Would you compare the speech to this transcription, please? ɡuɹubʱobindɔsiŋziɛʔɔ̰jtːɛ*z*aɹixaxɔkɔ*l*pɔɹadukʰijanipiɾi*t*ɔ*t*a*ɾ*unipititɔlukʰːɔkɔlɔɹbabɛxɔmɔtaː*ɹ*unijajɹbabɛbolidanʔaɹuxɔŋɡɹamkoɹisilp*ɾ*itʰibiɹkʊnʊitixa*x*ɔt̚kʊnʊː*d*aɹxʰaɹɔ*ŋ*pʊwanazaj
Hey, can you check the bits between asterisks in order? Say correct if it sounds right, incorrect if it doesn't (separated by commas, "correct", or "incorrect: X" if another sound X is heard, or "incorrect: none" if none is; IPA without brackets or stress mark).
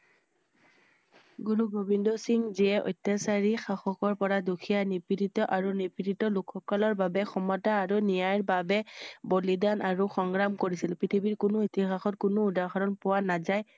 incorrect: s, incorrect: ɹ, correct, incorrect: ʔ, incorrect: ɹ, correct, incorrect: ɹ, correct, correct, incorrect: n